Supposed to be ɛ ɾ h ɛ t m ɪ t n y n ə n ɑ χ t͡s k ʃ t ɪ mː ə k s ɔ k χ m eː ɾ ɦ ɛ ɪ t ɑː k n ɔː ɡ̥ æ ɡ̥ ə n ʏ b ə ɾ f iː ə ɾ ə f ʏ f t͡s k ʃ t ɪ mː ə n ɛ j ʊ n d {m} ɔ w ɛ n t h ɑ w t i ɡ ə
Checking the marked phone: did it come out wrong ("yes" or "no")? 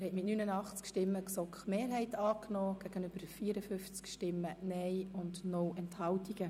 yes